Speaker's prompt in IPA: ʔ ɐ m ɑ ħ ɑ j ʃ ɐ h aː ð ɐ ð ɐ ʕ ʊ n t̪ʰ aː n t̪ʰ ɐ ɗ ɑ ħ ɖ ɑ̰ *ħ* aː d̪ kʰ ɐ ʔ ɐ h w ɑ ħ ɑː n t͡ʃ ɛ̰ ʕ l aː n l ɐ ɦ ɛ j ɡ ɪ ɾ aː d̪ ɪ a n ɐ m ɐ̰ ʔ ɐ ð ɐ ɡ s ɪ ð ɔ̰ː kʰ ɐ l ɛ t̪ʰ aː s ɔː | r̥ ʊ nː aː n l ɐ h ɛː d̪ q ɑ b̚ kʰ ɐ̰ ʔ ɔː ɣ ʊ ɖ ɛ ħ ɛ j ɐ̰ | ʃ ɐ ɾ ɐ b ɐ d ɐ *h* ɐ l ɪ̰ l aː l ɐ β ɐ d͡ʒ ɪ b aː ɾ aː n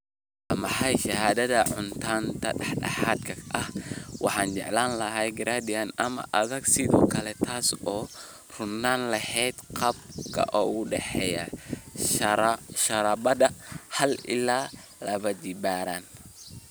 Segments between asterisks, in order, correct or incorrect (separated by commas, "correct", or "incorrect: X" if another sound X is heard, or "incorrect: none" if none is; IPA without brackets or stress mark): correct, correct